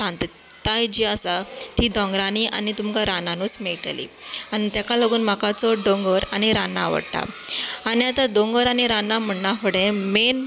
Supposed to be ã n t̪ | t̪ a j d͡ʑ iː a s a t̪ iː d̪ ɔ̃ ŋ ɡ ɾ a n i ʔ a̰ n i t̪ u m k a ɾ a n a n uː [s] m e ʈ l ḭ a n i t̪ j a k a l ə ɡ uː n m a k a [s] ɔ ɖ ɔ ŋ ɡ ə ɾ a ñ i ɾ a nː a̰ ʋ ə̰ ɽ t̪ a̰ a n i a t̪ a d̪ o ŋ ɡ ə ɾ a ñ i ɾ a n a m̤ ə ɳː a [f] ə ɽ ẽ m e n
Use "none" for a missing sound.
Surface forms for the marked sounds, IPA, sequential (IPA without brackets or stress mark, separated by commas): s, t͡s, f